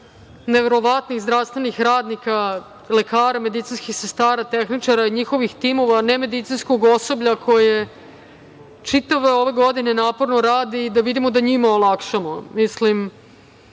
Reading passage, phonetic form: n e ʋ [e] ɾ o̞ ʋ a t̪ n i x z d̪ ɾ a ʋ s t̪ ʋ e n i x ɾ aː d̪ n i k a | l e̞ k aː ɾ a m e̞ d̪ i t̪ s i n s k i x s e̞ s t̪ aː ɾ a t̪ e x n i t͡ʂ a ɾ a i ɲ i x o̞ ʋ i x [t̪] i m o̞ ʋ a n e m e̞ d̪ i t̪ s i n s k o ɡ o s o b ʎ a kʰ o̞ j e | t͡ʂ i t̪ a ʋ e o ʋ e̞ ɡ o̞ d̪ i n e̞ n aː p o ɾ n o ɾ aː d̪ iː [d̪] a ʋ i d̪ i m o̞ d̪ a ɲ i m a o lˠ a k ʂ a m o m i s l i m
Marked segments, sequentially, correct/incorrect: correct, correct, correct

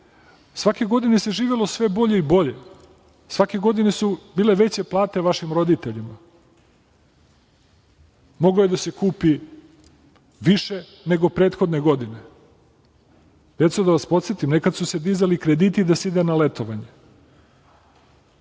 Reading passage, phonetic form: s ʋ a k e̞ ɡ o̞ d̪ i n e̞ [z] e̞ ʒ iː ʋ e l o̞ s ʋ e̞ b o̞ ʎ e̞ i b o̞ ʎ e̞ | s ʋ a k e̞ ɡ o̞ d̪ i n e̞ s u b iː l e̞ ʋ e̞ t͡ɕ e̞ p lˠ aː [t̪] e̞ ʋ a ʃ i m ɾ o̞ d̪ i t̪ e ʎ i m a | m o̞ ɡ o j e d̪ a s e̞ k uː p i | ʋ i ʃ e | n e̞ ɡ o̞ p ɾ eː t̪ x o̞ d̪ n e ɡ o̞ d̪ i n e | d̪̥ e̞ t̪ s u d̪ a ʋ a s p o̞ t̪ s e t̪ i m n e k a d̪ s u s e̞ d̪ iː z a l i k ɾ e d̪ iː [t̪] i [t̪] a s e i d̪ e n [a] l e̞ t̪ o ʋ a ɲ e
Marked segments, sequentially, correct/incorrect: incorrect: s, correct, correct, incorrect: d̪, correct

